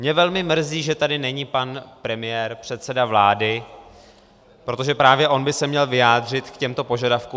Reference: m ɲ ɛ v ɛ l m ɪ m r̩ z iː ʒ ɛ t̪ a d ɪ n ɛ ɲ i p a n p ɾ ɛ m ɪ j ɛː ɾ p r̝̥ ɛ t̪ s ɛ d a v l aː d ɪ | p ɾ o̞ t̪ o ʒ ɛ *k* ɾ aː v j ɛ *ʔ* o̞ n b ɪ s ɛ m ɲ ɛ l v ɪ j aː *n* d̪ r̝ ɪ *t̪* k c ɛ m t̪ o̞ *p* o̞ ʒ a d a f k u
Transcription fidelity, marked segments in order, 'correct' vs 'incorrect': incorrect, correct, incorrect, correct, correct

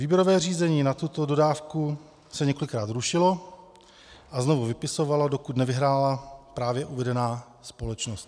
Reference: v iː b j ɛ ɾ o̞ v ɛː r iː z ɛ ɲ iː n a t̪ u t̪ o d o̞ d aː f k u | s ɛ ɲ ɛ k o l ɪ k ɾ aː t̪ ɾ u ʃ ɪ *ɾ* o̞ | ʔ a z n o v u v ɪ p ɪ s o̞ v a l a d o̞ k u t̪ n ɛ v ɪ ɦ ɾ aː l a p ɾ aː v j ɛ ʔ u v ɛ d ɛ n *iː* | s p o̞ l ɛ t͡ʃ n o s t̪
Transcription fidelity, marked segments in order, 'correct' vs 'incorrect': incorrect, incorrect

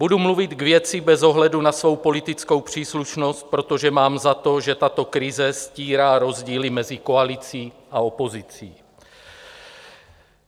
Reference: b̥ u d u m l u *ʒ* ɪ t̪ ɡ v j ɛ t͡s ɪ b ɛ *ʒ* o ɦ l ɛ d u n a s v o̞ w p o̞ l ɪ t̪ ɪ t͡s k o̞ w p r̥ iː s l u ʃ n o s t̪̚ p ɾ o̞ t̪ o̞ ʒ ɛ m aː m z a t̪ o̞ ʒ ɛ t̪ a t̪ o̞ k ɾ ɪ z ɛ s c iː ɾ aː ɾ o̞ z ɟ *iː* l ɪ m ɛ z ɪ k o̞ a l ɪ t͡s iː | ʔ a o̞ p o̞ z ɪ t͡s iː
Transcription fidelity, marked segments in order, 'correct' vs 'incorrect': incorrect, incorrect, correct

